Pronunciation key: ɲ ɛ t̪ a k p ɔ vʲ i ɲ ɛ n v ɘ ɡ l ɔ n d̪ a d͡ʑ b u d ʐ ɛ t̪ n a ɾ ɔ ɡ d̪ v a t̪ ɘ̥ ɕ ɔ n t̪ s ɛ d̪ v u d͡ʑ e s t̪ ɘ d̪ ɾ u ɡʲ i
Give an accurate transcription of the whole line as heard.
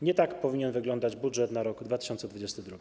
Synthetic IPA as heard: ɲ ɛ t̪ a k p ɔ vʲ i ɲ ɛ n v ɘ ɡ l ɔ n d̪ a d͡ʑ b u d ʐ ɛ t̪ n a ɾ ɔ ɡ d̪ v a t̪ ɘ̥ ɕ ɔ n t̪ s ɛ d̪ v u d͡ʑ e s t̪ ɘ d̪ ɾ u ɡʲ i